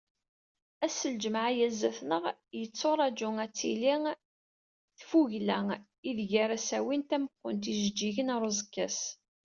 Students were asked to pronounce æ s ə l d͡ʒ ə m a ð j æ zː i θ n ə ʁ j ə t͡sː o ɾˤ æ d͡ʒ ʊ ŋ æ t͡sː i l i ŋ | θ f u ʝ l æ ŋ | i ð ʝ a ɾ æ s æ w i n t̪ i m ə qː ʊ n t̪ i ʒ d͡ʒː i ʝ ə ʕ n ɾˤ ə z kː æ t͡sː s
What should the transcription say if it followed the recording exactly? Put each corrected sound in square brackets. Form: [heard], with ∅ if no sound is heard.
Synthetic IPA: æ s ə l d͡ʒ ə m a [ʕ] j æ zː [æ] θ n ə ʁ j ə t͡sː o ɾˤ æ d͡ʒ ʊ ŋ æ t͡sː i l i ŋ | θ f u ʝ l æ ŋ | i ð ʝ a ɾ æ s æ w i n t̪ [æ] m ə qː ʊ n t̪ i ʒ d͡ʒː i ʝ ə [∅] n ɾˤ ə z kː æ [∅] s